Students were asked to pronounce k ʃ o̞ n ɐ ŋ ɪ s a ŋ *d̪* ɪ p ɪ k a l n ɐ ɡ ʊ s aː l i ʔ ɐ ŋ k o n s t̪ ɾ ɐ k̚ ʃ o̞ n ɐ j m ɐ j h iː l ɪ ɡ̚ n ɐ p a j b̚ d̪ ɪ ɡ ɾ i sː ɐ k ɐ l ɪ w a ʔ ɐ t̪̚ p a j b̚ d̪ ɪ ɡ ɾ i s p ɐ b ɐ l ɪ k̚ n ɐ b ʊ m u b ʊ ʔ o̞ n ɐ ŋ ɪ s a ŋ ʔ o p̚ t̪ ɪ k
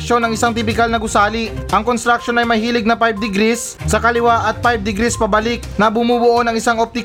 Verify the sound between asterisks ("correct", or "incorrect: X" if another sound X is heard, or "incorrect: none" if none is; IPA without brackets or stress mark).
incorrect: t̪